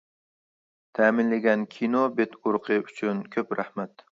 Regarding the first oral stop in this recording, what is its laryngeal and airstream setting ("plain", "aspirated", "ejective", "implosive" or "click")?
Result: aspirated